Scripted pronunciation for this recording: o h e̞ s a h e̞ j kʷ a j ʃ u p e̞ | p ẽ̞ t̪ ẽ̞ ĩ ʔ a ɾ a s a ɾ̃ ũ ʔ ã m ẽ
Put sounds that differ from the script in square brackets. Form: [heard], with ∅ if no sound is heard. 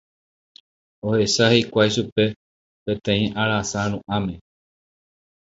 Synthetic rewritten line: o h e̞ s a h e̞ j kʷ a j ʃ u p e̞ | p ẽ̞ t̪ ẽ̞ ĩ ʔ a ɾ a s a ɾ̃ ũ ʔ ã m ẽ